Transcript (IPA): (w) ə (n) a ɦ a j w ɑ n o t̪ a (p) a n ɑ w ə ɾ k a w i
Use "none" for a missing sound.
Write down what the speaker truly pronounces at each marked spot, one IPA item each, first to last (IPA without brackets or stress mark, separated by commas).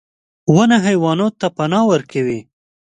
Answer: w, n, p